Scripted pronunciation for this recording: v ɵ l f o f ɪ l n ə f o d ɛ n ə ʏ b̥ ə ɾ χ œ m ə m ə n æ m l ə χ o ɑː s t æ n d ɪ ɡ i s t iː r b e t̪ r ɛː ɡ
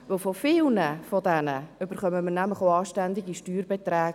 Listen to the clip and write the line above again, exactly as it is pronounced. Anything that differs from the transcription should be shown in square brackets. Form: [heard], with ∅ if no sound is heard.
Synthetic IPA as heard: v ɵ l f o f ɪ l n ə f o d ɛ n ə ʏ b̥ ə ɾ χ œ m ə m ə n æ m l ə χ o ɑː [ʃ] t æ n d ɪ ɡ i [ʃ] t [yː] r b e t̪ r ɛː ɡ

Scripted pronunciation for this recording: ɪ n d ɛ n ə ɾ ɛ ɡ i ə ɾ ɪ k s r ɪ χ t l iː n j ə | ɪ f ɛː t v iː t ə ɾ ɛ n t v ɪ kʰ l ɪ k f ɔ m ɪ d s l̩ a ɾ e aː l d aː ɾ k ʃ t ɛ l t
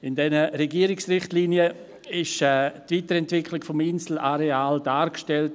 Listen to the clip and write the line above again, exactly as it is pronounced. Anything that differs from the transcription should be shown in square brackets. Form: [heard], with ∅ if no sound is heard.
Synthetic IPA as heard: ɪ n d ɛ n ə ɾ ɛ ɡ i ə ɾ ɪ k s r ɪ χ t l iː n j ə | ɪ [ʃ] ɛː t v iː t ə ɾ ɛ n t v ɪ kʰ l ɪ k f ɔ m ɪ [n] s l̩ a ɾ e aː l d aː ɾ k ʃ t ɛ l t

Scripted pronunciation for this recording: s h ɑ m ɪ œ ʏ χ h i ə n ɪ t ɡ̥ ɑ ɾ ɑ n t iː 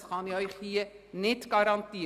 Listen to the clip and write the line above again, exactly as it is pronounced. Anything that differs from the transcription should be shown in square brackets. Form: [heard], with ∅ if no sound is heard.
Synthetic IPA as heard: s [χ] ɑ [n] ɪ œ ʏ χ h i ə n ɪ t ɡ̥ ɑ ɾ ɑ n t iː

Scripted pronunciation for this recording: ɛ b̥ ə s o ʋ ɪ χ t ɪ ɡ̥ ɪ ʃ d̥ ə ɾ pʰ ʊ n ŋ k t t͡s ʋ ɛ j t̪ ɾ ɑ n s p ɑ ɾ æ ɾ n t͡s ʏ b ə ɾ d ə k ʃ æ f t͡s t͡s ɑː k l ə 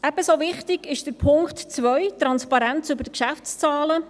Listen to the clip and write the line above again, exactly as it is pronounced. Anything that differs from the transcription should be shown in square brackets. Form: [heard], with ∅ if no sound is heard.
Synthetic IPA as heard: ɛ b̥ ə s o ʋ ɪ χ t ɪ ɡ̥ ɪ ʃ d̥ ə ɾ pʰ ʊ [∅] ŋ k t t͡s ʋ [œ] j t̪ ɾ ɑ n s p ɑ ɾ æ [∅] n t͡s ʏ b ə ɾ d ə k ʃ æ f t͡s t͡s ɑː [∅] l ə

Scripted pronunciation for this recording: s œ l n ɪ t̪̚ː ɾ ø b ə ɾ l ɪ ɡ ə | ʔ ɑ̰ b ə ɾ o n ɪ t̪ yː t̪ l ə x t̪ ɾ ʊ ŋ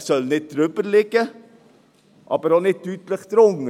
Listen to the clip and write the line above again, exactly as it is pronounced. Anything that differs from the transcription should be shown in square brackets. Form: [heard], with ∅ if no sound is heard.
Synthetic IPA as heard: s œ l n ɪ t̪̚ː ɾ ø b ə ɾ l ɪ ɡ ə | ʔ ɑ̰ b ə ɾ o n ɪ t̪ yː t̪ l ə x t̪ ɾ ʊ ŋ

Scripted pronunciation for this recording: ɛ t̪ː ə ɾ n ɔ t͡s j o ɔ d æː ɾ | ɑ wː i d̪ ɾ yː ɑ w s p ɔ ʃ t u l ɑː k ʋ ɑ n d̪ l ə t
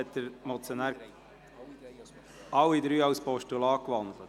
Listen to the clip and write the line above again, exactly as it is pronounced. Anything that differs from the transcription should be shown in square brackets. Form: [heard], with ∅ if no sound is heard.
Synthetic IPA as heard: ɛ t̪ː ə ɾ [m] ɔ t͡s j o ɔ [n] æː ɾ | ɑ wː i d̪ ɾ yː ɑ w s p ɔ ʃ t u l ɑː k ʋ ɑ n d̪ l ə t

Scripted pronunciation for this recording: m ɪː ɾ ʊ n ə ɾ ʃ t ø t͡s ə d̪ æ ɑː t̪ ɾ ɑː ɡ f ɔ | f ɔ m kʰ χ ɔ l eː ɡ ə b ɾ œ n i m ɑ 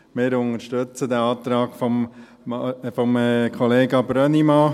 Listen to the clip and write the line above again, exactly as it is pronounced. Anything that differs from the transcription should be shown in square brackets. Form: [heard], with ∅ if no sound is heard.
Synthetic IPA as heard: m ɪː ɾ ʊ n ə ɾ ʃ t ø t͡s ə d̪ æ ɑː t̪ ɾ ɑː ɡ f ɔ | f ɔ m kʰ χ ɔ l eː ɡ [ɑ] b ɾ œ n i m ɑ

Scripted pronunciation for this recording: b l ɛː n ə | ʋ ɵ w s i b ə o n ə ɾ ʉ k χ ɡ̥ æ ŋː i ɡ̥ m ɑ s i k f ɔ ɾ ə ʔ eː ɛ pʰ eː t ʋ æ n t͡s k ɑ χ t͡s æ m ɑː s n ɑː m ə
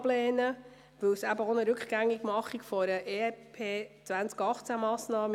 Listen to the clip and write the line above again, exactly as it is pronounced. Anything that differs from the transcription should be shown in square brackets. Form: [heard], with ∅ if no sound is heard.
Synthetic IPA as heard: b l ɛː n ə | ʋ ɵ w s [æ] b ə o n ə ɾ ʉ k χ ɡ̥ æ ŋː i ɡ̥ m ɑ [χ] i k f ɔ ɾ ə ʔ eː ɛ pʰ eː [t͡s] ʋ æ n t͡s k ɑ χ t͡s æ m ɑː s n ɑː m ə

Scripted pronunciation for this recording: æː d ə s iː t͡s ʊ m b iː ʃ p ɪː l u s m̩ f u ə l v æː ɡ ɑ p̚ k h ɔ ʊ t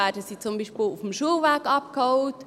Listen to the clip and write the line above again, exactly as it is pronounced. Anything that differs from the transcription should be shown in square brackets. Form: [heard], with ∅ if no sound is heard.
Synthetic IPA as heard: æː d ə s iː t͡s ʊ m b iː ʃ p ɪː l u [f] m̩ [ʃ] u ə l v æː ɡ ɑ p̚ k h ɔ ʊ t

